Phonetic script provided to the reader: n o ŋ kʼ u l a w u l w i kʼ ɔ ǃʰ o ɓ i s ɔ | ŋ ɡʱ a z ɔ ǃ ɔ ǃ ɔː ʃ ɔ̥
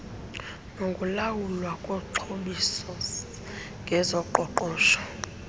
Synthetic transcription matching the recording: n o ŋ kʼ u l a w u l w a kʼ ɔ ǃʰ o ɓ i s ɔ | ŋ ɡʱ ɛ z ɔ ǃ ɔ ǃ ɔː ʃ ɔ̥